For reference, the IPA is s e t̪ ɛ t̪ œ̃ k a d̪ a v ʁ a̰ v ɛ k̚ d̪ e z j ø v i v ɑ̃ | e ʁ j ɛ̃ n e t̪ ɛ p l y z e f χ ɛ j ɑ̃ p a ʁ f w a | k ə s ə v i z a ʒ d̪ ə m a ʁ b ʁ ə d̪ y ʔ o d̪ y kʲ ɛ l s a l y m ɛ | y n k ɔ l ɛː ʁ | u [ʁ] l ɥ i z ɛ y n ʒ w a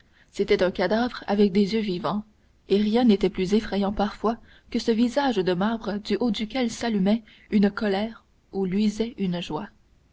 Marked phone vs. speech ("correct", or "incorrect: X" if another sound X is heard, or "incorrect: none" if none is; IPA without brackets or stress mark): incorrect: none